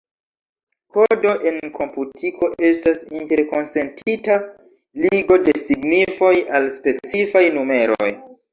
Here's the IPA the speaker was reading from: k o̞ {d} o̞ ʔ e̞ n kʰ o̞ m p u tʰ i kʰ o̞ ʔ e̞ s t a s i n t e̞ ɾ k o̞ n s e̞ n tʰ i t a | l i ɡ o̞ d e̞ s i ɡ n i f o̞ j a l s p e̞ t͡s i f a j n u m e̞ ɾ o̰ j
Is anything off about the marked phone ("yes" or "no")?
no